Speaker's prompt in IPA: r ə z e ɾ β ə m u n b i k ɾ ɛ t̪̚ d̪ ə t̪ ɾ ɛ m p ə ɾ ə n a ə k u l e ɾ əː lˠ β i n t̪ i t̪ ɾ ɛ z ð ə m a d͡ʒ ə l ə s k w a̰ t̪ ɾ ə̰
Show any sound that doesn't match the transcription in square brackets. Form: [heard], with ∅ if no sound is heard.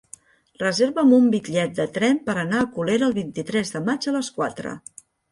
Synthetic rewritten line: r ə z e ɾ β ə m u [m] b i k [ʎ] ɛ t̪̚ d̪ ə t̪ ɾ ɛ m p ə ɾ ə n a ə k u l e ɾ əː lˠ β i n t̪ i t̪ ɾ ɛ z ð ə m a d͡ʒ ə l ə s k w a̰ t̪ ɾ ə̰